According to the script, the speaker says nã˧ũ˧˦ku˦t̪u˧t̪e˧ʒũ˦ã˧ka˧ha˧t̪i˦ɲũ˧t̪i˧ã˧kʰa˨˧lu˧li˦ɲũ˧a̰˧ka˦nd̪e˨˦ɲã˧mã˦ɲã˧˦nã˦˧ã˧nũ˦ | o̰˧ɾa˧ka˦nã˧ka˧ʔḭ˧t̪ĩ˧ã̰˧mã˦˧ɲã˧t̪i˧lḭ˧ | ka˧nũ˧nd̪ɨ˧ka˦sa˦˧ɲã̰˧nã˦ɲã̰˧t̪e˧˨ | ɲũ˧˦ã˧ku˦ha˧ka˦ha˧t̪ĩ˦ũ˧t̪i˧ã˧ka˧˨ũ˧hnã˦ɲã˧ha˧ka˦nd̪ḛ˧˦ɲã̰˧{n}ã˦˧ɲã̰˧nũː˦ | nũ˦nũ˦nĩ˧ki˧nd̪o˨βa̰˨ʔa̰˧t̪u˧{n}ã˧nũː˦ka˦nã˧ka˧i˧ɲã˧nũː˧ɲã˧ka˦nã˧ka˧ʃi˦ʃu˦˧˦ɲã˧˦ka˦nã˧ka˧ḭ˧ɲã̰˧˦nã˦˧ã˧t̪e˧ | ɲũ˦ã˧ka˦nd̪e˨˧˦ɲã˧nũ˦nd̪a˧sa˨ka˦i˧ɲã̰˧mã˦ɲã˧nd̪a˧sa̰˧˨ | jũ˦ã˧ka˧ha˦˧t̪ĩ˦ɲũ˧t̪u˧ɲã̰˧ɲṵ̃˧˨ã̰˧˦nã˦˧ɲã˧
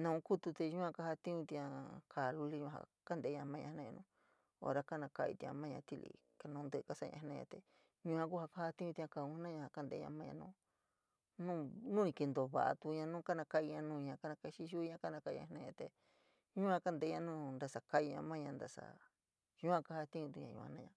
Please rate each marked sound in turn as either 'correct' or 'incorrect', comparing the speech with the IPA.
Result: incorrect: m, incorrect: ɲ

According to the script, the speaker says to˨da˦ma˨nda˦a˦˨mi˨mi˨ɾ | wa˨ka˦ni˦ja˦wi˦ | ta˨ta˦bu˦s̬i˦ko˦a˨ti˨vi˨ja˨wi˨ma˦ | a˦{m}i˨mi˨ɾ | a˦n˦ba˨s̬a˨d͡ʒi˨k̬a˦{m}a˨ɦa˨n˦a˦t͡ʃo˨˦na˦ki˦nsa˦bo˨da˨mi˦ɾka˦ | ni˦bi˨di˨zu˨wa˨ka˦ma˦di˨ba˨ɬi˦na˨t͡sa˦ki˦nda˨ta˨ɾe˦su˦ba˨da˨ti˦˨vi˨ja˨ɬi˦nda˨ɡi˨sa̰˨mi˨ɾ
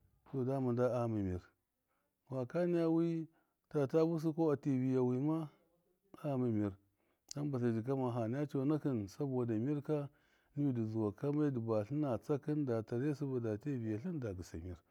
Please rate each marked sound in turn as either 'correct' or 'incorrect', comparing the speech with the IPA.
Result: correct, correct

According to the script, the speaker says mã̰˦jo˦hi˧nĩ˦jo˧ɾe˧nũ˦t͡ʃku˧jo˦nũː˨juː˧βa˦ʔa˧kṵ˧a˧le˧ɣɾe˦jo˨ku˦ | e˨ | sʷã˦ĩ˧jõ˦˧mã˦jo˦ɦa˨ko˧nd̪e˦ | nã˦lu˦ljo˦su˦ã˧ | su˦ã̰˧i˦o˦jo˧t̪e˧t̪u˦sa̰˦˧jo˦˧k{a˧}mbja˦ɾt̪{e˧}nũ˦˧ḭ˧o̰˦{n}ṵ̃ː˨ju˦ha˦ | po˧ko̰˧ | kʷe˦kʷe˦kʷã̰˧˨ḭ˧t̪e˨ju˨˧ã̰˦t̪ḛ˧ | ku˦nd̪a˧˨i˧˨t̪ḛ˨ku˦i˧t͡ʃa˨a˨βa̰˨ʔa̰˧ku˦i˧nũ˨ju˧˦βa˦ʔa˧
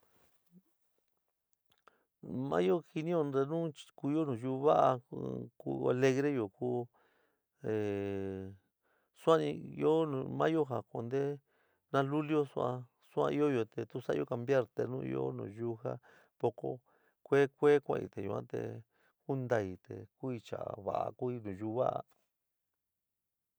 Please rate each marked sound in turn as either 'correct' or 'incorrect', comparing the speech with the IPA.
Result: correct, correct, correct

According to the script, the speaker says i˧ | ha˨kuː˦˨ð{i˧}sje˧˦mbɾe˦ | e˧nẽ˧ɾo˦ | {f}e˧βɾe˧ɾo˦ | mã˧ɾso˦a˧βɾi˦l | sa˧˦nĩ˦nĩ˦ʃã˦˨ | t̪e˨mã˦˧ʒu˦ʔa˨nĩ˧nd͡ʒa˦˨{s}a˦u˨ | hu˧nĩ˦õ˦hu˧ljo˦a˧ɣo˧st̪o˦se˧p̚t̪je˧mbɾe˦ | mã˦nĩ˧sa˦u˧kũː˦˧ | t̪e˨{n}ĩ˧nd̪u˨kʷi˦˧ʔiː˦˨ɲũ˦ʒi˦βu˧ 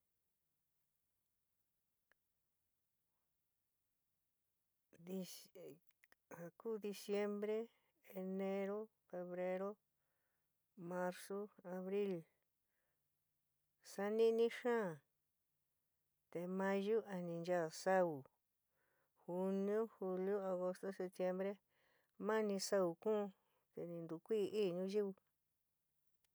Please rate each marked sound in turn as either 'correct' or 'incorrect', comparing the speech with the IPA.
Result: correct, correct, correct, correct

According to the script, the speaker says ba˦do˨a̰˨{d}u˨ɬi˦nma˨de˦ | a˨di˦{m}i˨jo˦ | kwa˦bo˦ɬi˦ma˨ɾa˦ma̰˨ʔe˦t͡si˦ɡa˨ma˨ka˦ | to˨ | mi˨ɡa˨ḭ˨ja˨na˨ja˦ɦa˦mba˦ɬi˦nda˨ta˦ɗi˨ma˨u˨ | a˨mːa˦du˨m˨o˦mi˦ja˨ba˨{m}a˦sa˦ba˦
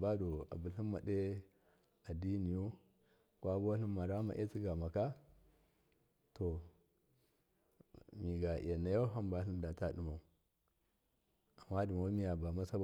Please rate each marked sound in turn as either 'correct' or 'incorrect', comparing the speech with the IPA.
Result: incorrect: b, incorrect: n, correct

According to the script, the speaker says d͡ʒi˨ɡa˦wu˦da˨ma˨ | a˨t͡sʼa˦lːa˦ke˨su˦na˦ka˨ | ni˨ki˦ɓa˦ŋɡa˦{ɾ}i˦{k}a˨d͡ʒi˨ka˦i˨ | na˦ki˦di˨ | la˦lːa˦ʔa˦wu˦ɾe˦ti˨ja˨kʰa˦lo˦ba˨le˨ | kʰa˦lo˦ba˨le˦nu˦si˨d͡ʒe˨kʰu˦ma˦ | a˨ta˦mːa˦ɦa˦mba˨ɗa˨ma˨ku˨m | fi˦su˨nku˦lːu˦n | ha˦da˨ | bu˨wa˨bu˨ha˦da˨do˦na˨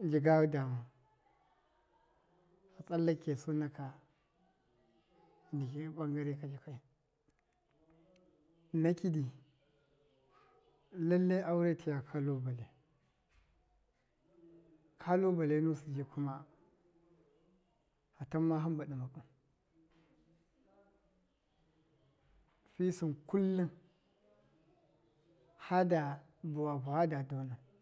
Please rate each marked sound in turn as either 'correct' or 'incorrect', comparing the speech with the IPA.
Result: correct, correct

